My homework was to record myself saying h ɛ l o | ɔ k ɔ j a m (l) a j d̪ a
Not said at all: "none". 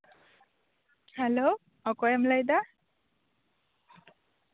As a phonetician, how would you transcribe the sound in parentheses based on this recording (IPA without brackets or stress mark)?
l